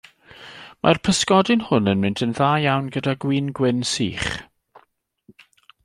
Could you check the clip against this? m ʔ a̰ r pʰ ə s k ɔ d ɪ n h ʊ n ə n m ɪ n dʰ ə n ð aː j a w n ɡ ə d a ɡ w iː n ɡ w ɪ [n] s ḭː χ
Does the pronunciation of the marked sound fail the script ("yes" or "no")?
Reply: no